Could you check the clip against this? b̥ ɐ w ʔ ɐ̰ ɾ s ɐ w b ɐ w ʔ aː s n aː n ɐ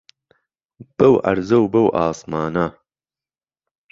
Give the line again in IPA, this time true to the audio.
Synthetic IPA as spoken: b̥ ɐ w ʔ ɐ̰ ɾ z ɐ w b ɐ w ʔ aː s m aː n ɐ